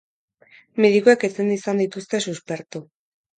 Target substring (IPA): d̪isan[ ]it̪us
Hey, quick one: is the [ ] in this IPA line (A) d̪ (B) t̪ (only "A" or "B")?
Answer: A